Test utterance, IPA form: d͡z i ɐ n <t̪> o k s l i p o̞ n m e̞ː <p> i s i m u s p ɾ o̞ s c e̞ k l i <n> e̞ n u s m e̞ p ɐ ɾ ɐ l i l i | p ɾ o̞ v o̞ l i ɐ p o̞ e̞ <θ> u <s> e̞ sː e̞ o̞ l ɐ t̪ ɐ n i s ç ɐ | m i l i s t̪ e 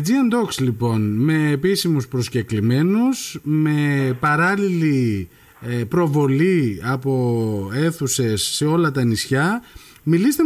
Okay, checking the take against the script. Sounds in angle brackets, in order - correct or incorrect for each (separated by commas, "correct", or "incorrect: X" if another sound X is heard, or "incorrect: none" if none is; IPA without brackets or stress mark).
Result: incorrect: d̪, correct, incorrect: m, correct, correct